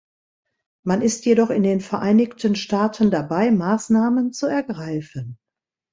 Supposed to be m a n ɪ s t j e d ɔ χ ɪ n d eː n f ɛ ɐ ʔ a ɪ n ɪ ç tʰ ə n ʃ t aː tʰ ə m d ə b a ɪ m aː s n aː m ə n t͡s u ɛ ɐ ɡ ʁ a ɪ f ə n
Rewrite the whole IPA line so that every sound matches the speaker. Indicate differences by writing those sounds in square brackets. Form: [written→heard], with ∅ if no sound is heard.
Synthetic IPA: m a n ɪ s t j e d ɔ χ ɪ n d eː n f ɛ ɐ ʔ a ɪ n ɪ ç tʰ ə n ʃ t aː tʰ ə [m→n] d [ə→a] b a ɪ m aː s n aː m ə n t͡s u ɛ ɐ ɡ ʁ a ɪ f ə n